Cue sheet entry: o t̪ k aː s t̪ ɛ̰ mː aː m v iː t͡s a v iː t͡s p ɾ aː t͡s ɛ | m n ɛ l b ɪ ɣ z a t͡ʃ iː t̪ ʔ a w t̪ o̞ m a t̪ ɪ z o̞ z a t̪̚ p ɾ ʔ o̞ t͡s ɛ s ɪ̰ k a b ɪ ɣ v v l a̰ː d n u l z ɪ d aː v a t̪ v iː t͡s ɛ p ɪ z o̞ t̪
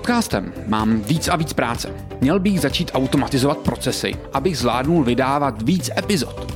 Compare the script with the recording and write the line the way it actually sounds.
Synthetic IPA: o t̪ k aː s t̪ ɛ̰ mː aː m v iː t͡s a v iː t͡s p ɾ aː t͡s ɛ | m ɲ ɛ l b ɪ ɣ z a t͡ʃ iː t̪ ʔ a w t̪ o̞ m a t̪ ɪ z o̞ v a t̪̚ p ɾ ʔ o̞ t͡s ɛ s ɪ̰ ʔ a b ɪ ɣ z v l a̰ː d n u l v ɪ d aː v a t̪ v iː t͡s ɛ p ɪ z o̞ t̪